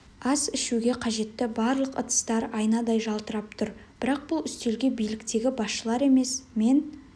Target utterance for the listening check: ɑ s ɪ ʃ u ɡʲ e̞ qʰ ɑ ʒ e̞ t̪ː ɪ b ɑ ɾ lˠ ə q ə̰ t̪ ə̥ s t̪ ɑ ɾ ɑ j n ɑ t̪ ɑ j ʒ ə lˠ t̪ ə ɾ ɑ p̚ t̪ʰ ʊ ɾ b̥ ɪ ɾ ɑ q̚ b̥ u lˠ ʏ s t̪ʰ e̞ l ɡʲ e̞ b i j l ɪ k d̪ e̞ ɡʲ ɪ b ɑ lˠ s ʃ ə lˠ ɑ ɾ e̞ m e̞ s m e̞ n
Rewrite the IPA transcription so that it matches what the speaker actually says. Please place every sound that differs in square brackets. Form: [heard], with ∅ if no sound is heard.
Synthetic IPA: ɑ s ɪ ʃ u ɡʲ e̞ qʰ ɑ ʒ e̞ t̪ː ɪ b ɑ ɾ lˠ ə q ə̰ t̪ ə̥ s t̪ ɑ ɾ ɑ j n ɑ [d̪] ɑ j ʒ [ɑ] lˠ t̪ ə ɾ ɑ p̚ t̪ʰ ʊ ɾ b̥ ɪ ɾ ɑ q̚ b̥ [ʊ] lˠ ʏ s [t̪] e̞ l ɡʲ e̞ b i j l ɪ k [t̪] e̞ ɡʲ ɪ b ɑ [∅] s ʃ ə lˠ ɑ ɾ e̞ m e̞ s m e̞ n